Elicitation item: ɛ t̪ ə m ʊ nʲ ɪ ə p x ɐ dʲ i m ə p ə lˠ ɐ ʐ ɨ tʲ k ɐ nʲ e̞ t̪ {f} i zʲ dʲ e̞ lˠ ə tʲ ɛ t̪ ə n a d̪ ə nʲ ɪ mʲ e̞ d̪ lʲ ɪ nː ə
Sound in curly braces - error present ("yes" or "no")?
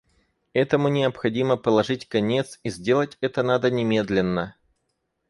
yes